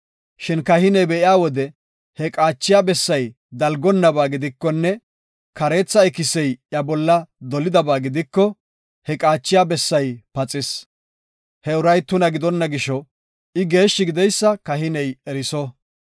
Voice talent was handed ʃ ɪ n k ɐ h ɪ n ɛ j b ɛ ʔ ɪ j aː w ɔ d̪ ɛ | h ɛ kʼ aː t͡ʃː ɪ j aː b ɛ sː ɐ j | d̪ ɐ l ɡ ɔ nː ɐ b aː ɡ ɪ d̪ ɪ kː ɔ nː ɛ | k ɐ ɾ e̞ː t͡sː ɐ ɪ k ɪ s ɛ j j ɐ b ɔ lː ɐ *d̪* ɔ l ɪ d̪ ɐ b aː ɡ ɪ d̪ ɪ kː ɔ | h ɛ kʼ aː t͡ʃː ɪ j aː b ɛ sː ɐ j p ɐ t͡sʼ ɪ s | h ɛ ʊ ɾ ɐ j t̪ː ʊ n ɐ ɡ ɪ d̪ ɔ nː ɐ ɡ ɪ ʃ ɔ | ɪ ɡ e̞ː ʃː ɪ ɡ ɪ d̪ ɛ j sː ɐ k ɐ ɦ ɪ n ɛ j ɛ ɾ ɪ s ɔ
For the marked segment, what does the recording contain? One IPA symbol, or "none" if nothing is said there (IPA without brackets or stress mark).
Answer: d̪